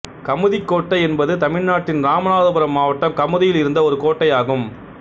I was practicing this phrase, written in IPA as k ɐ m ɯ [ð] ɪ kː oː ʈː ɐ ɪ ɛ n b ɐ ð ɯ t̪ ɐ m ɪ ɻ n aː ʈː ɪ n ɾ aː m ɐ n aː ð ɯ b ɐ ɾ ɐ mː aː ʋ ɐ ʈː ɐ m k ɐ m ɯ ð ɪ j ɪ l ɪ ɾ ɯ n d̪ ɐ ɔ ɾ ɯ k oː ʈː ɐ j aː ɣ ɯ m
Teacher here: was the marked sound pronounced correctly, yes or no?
yes